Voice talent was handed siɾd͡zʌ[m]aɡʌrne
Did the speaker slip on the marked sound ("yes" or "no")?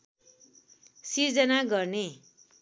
yes